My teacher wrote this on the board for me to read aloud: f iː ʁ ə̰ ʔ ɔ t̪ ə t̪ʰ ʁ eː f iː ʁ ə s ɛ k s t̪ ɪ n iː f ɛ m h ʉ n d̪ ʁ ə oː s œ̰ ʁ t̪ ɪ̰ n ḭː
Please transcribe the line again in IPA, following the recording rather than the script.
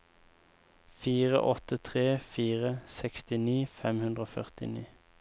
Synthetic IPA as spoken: f iː ʁ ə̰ ʔ ɔ t̪ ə t̪ʰ ʁ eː f iː ʁ ə s ɛ k s t̪ ɪ n iː f ɛ m h ʉ n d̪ ʁ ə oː f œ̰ ʁ t̪ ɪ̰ n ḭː